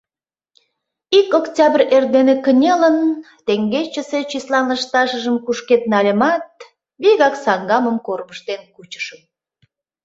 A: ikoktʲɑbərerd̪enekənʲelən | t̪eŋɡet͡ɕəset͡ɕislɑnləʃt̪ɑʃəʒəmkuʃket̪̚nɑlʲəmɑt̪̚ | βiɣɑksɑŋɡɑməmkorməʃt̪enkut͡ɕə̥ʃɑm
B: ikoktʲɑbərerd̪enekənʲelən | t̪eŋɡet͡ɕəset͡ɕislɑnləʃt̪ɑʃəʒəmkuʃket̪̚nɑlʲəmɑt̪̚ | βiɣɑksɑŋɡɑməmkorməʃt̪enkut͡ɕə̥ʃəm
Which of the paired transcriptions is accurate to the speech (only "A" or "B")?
B